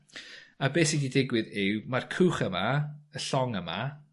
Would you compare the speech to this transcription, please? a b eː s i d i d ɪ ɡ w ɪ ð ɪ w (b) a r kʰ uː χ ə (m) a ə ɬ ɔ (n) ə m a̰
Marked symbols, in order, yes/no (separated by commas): no, yes, no